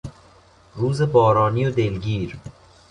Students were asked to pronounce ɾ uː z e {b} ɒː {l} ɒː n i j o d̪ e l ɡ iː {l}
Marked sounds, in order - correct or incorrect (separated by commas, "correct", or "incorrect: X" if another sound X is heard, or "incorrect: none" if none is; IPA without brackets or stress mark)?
correct, incorrect: ɾ, incorrect: ɾ